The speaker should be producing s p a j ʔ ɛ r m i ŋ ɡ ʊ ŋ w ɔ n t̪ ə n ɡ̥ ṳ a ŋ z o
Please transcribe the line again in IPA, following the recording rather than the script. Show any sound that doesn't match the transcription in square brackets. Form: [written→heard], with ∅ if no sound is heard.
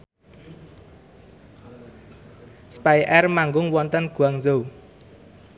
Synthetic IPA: s p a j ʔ ɛ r m [i→a] ŋ ɡ ʊ ŋ w ɔ n t̪ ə n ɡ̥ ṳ a ŋ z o

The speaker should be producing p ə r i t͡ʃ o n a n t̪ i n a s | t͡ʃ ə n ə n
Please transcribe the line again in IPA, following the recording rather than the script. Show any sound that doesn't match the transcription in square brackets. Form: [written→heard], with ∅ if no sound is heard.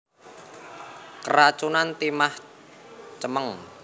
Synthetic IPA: [p→k] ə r [i→a] t͡ʃ [o→u] n a n t̪ i [n→m] a [s→h] | t͡ʃ ə [n→m] ə [n→ŋ]

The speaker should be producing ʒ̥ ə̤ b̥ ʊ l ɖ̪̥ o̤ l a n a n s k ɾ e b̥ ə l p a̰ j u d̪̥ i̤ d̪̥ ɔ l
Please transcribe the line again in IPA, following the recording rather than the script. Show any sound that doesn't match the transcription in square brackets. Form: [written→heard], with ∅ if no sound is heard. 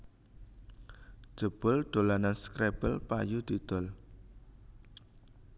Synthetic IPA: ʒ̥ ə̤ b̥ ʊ l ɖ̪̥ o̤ l a n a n s k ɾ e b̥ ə l p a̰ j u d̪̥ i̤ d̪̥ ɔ l

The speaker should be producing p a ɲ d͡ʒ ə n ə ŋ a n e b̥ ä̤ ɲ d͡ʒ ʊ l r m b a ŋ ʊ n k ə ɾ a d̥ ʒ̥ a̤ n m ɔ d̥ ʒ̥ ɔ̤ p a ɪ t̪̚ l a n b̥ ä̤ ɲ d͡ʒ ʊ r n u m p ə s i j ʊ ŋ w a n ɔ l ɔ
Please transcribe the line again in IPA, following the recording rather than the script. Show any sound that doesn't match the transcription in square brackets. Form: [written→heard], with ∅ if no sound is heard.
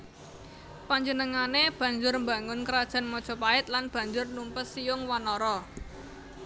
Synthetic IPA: p a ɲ d͡ʒ ə n ə ŋ a n e b̥ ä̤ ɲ d͡ʒ ʊ [l→∅] r m b a ŋ ʊ n k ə ɾ a d̥ ʒ̥ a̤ n m ɔ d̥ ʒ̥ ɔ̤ p a ɪ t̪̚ l a n b̥ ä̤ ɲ d͡ʒ ʊ r n u m p ə s i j ʊ ŋ w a n ɔ [l→ɾ] ɔ

